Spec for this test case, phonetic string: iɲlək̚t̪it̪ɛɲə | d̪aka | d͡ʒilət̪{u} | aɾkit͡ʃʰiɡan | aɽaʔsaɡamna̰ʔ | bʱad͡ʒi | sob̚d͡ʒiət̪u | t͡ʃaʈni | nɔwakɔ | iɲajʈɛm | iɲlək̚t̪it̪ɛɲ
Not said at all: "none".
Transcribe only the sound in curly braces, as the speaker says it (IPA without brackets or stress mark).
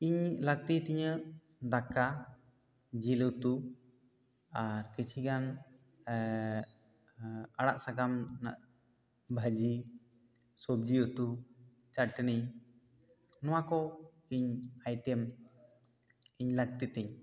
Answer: u